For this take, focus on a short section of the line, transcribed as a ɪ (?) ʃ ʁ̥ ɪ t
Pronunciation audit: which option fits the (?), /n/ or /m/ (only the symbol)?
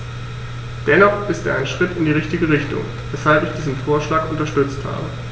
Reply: n